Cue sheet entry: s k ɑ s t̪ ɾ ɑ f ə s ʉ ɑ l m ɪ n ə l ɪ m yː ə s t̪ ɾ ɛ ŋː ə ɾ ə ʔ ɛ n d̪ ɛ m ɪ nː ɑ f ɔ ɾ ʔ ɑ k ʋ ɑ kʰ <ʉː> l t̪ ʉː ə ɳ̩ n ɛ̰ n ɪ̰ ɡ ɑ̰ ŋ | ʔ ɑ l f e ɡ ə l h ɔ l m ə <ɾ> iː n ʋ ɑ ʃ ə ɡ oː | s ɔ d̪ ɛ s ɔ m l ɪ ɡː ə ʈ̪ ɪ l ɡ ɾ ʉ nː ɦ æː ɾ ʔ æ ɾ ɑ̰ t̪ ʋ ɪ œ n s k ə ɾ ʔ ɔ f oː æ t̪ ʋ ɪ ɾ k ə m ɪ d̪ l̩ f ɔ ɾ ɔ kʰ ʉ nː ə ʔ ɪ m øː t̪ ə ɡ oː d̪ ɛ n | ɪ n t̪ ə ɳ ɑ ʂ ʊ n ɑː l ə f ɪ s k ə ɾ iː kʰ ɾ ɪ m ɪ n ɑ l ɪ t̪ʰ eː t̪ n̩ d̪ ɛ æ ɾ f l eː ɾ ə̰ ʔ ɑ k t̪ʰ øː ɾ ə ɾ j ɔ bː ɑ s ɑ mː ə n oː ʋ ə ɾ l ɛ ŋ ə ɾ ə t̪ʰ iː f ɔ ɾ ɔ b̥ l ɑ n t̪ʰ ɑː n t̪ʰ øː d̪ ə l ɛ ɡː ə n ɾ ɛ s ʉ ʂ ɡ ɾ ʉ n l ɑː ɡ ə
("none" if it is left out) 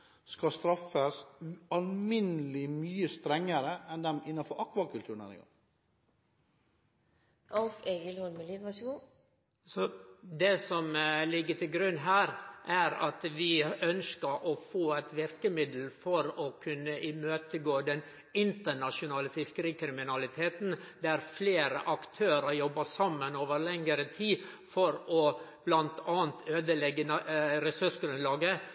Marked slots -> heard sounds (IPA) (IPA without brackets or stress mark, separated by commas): ʉ, l